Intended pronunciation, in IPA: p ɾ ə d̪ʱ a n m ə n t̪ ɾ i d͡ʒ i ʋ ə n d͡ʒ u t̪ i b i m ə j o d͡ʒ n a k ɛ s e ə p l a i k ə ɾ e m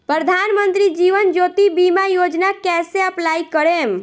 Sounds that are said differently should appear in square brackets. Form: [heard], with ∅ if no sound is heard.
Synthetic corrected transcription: p ɾ ə d̪ʱ a n m ə n t̪ ɾ i d͡ʒ i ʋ ə n d͡ʒ [o] t̪ i b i m [a] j o d͡ʒ n a k ɛ s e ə p l a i k ə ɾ e m